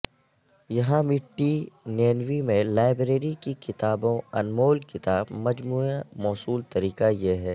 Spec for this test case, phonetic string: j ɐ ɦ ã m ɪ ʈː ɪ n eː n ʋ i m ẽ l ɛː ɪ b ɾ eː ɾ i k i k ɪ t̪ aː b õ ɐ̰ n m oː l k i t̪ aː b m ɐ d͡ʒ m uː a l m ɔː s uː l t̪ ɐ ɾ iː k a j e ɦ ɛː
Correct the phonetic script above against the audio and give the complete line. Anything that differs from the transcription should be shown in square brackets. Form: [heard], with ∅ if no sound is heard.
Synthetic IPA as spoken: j ɐ ɦ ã m ɪ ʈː [i] n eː n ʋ i m ẽ l [aː] ɪ b ɾ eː ɾ i k i k ɪ t̪ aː b õ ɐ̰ n m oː l k [ɪ] t̪ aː b m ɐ d͡ʒ m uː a [∅] m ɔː s uː l t̪ ɐ ɾ iː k a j e ɦ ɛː